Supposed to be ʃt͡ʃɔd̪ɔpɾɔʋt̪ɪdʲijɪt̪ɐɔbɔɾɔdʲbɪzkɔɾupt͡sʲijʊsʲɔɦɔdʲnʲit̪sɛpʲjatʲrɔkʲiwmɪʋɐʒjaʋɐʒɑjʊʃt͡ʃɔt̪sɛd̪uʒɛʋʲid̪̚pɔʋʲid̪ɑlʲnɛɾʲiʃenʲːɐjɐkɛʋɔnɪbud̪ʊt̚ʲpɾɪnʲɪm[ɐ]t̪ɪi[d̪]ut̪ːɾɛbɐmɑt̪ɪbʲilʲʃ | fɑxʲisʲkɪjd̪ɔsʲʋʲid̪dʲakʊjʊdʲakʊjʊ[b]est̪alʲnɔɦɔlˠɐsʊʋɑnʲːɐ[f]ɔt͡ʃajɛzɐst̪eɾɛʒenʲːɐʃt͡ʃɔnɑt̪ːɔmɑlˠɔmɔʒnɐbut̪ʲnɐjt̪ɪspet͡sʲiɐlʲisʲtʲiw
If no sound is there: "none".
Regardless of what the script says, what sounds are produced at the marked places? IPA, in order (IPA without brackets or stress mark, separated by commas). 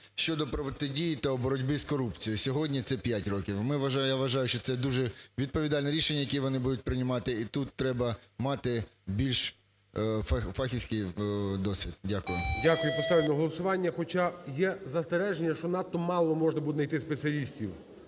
ɑ, t̪, p, x